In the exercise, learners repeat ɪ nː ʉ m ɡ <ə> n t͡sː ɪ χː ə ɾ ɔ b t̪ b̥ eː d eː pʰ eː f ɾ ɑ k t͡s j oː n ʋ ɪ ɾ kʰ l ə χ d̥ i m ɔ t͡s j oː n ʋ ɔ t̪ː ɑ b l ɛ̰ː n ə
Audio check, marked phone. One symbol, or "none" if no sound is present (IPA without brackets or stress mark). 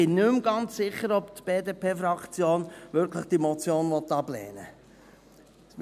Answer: ɑ